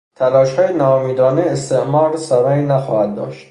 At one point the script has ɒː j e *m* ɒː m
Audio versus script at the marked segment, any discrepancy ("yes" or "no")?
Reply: yes